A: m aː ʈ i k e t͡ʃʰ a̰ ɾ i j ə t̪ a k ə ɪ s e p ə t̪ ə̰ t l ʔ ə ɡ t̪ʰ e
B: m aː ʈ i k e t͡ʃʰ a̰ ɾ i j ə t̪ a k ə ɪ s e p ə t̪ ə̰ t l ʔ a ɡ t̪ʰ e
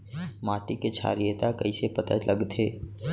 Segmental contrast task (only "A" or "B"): A